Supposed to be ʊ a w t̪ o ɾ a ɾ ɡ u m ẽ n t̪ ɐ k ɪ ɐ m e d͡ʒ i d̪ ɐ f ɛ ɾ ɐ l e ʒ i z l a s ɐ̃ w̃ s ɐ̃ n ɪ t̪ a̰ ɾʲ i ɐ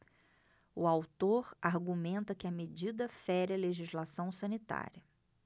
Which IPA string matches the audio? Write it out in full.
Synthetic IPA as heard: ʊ a w t̪ o ɾ a ɾ ɡ u m ẽ n t̪ ɐ k ɪ ɐ m e d͡ʒ i d̪ ɐ f ɛ ɾ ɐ l e ʒ i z l a s ɐ̃ w̃ s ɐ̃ n i t̪ a̰ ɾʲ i ɐ

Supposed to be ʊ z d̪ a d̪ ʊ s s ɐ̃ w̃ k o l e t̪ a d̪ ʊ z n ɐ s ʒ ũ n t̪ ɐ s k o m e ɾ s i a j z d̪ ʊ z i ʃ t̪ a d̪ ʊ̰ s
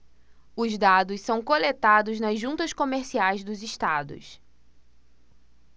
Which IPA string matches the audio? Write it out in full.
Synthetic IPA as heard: ʊ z d̪ a d̪ ʊ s s ɐ̃ w̃ k o l e t̪ a d̪ ʊ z n ɐ z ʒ ũ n t̪ ɐ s k o m e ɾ s i a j z d̪ ʊ z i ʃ t̪ a d̪ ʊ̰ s

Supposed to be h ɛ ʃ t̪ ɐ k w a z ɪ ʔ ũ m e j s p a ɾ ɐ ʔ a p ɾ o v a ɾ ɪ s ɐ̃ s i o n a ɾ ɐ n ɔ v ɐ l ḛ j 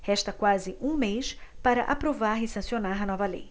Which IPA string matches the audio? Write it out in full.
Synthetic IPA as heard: h ɛ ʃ t̪ ɐ k w a z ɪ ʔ ũ m e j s p a ɾ ɐ ʔ a p ɾ o v a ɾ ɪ s ɐ̃ s i o n a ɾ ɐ n ɔ v ɐ l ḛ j

